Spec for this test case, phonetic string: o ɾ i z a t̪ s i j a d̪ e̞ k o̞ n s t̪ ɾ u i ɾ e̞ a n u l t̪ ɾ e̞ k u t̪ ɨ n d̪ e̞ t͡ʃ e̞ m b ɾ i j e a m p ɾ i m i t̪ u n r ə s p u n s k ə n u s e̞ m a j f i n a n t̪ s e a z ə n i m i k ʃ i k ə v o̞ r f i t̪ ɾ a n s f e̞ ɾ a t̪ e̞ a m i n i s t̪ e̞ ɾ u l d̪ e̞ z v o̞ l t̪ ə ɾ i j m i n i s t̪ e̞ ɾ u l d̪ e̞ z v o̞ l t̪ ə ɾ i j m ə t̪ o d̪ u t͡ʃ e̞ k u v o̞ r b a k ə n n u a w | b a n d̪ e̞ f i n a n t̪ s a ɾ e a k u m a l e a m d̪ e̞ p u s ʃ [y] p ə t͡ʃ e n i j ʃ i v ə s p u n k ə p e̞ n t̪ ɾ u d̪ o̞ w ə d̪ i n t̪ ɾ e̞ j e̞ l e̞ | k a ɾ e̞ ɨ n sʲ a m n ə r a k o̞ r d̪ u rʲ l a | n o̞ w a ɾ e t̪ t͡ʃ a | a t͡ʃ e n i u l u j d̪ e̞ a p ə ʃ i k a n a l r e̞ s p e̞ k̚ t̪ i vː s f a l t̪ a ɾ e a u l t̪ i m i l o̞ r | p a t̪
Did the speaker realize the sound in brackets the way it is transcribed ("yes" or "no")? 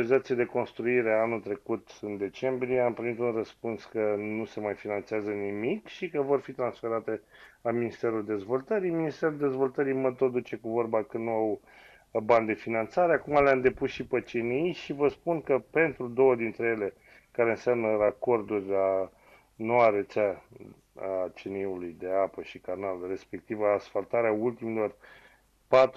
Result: no